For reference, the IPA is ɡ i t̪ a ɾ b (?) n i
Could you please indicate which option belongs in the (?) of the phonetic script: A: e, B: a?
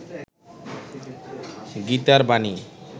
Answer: B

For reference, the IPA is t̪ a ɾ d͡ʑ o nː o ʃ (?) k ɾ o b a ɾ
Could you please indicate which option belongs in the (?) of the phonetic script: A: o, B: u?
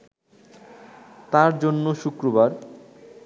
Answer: B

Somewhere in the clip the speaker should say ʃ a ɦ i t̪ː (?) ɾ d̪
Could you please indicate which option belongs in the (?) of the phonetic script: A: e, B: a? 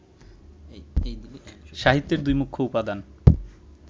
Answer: A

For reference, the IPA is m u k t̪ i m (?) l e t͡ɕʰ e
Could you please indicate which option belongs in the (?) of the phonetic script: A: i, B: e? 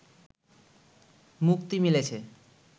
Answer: A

